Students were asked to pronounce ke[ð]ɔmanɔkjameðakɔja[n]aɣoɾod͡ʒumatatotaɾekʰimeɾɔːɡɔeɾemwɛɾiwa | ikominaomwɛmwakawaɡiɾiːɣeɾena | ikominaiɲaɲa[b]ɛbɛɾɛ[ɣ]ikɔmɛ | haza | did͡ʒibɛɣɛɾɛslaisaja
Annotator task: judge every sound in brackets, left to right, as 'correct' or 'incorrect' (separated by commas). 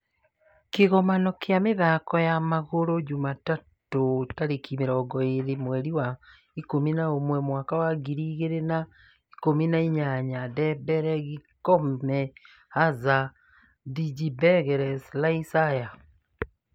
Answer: incorrect, incorrect, incorrect, correct